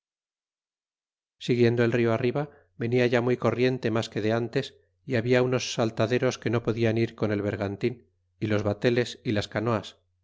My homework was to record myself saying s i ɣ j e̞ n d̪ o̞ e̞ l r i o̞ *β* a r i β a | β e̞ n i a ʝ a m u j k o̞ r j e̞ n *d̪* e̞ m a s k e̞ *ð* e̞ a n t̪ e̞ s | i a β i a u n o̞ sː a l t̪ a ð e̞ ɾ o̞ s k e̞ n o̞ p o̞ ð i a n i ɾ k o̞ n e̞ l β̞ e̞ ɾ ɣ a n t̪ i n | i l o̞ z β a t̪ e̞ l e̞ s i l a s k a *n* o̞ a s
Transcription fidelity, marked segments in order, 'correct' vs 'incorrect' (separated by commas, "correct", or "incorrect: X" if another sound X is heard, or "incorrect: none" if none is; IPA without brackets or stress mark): incorrect: none, incorrect: t̪, correct, correct